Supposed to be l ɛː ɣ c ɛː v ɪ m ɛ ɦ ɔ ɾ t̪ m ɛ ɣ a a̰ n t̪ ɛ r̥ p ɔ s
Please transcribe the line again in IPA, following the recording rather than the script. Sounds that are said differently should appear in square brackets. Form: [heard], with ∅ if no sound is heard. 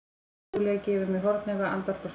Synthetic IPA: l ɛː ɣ c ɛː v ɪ m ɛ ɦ ɔ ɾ t̪ [n] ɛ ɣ a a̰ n t̪ [a] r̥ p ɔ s